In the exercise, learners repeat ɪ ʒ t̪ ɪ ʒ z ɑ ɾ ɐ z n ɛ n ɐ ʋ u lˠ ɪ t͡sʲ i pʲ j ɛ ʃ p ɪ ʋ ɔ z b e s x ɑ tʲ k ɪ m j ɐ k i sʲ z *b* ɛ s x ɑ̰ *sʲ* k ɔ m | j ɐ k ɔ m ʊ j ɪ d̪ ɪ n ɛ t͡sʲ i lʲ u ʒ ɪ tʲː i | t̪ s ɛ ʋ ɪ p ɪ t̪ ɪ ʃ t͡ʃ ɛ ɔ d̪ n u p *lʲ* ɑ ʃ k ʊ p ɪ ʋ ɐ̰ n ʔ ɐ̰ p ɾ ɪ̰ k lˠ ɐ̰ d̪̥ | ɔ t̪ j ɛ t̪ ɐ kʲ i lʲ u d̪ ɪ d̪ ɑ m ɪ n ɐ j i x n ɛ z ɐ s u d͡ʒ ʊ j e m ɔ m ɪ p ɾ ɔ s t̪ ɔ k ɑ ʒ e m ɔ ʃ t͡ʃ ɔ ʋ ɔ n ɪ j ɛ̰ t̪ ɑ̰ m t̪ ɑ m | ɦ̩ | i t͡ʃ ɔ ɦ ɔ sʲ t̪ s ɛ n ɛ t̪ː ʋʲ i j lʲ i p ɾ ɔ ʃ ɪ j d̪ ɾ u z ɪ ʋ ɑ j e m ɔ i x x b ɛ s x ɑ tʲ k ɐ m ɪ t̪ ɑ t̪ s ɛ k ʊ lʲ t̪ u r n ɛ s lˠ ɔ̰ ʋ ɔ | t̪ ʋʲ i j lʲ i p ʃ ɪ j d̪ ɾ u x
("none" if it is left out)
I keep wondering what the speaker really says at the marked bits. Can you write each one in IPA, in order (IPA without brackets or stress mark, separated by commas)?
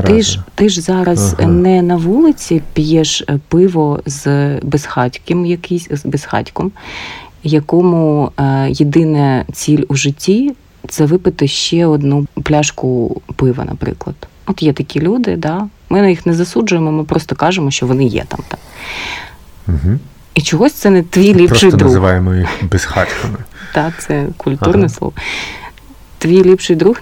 b, tʲ, lʲ